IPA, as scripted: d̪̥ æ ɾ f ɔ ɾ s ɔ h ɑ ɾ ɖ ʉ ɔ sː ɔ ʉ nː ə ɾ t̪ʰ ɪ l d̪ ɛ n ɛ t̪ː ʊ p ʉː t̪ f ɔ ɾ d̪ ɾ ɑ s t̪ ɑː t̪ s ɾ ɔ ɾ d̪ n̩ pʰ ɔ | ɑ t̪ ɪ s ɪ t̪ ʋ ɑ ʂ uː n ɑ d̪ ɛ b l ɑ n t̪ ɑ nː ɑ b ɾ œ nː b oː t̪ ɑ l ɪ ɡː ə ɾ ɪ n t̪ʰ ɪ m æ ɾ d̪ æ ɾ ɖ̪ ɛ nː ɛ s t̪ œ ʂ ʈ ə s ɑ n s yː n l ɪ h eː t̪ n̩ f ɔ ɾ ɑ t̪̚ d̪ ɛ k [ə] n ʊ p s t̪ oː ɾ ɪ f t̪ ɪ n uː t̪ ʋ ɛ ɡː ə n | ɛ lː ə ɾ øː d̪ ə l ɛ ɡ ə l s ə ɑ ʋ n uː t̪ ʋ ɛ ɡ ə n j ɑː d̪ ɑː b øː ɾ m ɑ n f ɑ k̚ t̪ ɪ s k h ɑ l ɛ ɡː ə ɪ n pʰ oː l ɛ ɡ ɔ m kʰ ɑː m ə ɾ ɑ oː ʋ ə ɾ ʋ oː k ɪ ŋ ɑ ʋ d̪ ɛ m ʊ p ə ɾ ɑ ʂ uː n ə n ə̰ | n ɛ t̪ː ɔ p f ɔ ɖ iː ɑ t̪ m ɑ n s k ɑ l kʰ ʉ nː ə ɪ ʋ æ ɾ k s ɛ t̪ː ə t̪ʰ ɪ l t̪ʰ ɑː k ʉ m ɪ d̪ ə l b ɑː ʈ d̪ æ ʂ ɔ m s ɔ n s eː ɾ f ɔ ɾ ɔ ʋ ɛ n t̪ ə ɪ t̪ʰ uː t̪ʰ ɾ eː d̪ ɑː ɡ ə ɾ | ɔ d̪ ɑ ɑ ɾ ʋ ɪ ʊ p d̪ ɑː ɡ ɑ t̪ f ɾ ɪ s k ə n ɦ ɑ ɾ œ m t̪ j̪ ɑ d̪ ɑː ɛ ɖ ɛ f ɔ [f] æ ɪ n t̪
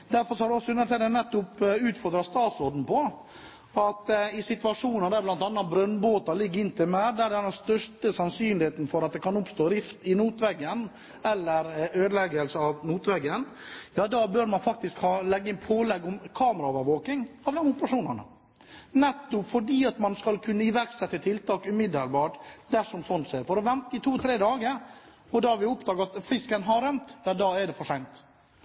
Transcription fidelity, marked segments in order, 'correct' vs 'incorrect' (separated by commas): incorrect, incorrect